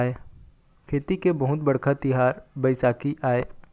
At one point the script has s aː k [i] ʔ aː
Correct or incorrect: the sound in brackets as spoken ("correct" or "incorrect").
correct